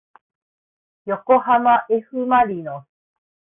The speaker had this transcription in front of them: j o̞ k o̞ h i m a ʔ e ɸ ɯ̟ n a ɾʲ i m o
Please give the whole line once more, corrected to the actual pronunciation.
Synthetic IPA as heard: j o̞ k o̞ h a m a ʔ e ɸ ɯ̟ m a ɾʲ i n o